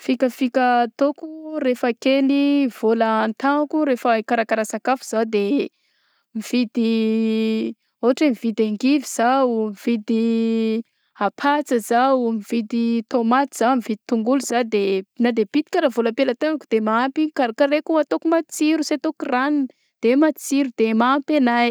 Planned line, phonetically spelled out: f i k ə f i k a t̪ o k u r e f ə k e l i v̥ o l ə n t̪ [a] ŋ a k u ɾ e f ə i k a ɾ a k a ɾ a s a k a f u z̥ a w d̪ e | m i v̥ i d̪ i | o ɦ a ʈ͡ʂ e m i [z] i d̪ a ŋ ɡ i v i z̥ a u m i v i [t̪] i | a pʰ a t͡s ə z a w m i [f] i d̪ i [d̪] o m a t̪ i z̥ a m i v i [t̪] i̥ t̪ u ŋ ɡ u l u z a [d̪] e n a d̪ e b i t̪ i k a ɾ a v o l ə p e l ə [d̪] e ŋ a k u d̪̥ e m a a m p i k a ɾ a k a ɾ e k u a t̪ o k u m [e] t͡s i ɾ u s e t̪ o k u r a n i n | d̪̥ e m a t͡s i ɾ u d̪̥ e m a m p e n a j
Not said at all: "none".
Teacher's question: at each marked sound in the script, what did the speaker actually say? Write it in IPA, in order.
a, v, d̪, v, t̪, d̪, d̪, t̪, a

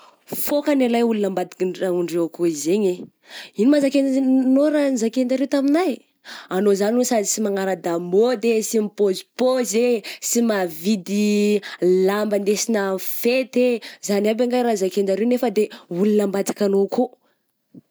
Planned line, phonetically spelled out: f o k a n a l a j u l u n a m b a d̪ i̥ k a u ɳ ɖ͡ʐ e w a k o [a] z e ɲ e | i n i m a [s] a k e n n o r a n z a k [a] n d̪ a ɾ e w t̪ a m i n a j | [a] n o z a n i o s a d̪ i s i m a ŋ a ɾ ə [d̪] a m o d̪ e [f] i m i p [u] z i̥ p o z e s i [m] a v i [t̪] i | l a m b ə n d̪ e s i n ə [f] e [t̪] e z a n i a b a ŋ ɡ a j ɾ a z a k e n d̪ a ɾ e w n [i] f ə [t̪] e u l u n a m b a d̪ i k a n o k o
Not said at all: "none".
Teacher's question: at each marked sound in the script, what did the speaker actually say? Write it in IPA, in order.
i, z, e, a, d̪, s, o, m, d̪, f, t̪, e, d̪

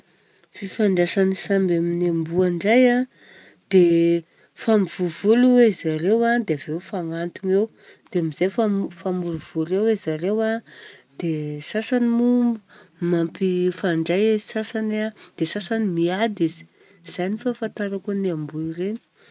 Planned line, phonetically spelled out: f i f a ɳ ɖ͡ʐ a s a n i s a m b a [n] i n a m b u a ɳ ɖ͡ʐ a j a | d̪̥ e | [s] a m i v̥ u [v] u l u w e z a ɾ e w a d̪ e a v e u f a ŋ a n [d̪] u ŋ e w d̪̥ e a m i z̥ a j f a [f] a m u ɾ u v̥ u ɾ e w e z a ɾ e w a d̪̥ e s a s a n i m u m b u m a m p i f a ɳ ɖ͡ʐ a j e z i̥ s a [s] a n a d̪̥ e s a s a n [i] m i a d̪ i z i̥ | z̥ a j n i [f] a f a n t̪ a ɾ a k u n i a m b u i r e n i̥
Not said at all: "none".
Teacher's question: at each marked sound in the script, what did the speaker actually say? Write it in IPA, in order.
m, f, v, t̪, f, s, i, f

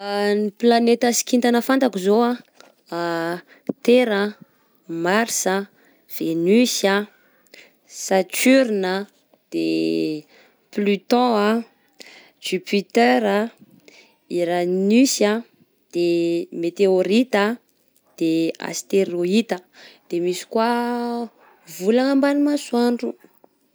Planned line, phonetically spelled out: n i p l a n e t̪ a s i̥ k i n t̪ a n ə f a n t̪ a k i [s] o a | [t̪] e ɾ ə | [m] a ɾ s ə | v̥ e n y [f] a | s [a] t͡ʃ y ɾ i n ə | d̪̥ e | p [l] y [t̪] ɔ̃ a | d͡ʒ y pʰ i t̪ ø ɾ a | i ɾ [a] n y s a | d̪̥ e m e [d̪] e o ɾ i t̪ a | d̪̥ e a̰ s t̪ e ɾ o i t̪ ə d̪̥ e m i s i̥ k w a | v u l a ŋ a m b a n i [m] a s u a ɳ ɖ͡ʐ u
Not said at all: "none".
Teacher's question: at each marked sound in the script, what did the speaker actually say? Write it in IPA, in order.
z, t̪, m, s, a, l, t̪, a, t̪, m

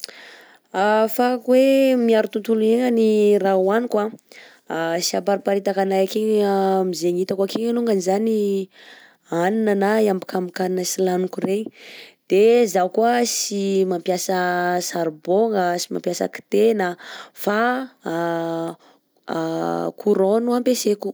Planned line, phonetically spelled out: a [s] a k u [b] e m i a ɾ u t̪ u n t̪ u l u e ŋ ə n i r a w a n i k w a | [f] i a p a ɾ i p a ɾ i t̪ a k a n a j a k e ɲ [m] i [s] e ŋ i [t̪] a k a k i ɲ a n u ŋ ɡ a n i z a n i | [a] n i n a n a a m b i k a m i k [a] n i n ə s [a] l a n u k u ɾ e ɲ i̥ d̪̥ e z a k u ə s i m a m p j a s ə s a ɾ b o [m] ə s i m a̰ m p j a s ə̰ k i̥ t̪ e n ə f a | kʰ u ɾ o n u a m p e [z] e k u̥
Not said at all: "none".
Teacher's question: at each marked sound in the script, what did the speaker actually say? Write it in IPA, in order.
f, w, s, m, z, t̪, a, a, i, ŋ, s

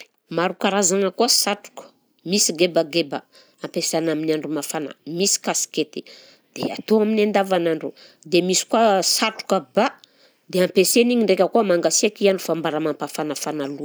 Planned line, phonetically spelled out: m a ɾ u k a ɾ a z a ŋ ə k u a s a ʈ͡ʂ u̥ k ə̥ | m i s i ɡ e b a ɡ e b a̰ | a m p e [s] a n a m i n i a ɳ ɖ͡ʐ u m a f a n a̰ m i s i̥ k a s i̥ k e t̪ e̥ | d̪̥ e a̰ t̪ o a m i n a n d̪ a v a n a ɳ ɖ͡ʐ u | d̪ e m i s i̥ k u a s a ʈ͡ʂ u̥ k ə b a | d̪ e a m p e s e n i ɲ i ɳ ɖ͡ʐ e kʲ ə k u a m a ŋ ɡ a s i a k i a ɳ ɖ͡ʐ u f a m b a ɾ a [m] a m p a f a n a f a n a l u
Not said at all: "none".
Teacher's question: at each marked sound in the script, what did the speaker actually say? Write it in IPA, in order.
s, m

